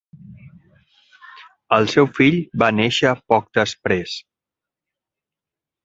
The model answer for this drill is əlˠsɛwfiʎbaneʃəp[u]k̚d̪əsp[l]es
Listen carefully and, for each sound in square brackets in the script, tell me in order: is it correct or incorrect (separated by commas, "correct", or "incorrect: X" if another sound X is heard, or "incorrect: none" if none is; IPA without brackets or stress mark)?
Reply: incorrect: ɔ, incorrect: ɾ